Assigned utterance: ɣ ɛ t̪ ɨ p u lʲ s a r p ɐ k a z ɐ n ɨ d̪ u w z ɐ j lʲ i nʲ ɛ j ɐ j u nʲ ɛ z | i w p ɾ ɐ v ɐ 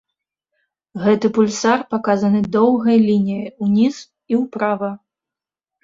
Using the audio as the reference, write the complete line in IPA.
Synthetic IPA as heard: ɣ ɛ t̪ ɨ p u lʲ s a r p a k a z ɐ n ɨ d̪ ɔ w ɣ ɐ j lʲ i nʲ i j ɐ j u nʲ i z | i w p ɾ a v ɐ